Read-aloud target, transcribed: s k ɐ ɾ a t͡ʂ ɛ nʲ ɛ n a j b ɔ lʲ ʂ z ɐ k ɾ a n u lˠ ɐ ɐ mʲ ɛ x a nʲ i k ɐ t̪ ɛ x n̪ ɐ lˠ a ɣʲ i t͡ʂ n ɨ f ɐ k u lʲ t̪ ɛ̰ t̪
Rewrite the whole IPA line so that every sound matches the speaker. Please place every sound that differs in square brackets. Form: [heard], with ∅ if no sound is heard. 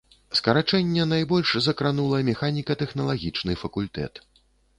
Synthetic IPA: s k ɐ ɾ a t͡ʂ ɛ [nʲː] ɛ n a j b ɔ lʲ ʂ z ɐ k ɾ a n u lˠ ɐ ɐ mʲ ɛ x a nʲ i k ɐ t̪ ɛ x n̪ ɐ lˠ a ɣʲ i t͡ʂ n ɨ f ɐ k u lʲ t̪ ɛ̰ t̪